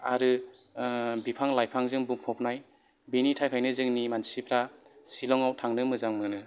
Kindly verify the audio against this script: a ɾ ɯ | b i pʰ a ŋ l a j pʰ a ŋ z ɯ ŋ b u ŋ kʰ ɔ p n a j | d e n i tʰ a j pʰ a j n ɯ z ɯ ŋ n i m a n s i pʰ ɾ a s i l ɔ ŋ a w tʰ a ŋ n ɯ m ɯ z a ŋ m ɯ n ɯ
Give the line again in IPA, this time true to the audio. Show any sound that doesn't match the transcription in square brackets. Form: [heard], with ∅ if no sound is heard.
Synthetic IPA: a ɾ ɯ | b i pʰ a ŋ l a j pʰ a ŋ z ɯ ŋ b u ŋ [pʰ] ɔ p n a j | [b] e n i tʰ a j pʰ a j n ɯ z ɯ ŋ n i m a n s i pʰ ɾ a s i l ɔ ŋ a w tʰ a ŋ n ɯ m ɯ z a ŋ m ɯ n ɯ